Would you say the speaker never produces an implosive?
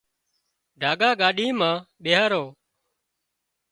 no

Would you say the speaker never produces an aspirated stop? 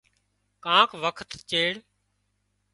no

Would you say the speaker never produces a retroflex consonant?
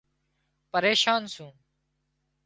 yes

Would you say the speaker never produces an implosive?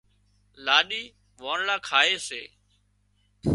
no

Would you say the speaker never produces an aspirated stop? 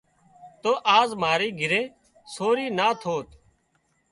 no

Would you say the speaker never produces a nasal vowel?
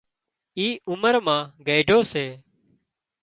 no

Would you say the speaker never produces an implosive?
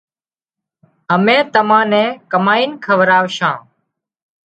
yes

